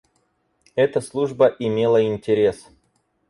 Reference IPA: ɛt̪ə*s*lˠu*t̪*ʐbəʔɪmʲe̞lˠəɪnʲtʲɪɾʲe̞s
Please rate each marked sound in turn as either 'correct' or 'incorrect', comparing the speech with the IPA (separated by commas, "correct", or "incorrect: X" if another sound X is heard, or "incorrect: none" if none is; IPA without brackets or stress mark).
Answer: correct, incorrect: none